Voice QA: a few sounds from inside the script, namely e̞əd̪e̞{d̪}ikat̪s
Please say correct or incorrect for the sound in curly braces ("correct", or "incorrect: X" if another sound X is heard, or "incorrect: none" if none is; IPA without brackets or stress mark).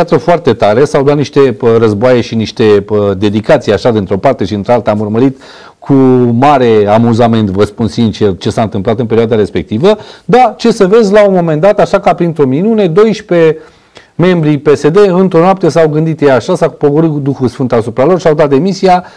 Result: correct